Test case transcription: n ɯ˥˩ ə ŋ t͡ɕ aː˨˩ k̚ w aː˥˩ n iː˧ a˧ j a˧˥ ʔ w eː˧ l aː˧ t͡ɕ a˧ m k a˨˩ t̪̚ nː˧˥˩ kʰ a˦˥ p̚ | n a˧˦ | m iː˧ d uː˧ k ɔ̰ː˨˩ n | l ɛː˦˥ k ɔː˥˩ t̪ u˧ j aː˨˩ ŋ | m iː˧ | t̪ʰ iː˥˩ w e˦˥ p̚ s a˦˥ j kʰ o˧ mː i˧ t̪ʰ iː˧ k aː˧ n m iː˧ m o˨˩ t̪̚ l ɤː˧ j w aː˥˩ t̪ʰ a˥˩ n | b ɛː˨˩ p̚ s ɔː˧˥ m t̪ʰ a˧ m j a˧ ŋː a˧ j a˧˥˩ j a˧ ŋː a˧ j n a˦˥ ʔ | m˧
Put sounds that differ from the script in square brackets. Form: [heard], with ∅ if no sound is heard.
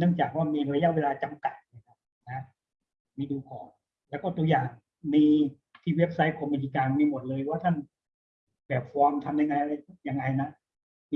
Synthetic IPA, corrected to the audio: n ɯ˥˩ ə ŋ t͡ɕ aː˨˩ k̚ w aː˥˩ [m] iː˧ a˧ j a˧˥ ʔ w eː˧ l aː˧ t͡ɕ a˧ m k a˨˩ t̪̚ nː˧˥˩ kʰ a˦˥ p̚ | n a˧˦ | m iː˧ d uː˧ k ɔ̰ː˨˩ n | l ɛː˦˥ k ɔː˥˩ t̪ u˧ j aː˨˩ ŋ | m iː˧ | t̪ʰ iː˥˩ w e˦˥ p̚ s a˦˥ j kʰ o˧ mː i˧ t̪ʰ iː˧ k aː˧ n m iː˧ m o˨˩ t̪̚ l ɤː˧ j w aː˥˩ t̪ʰ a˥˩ n | b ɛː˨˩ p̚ [f] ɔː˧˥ m t̪ʰ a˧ m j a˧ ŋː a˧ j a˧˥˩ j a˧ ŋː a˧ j n a˦˥ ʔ | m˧